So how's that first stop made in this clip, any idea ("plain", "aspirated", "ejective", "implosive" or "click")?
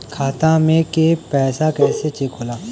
aspirated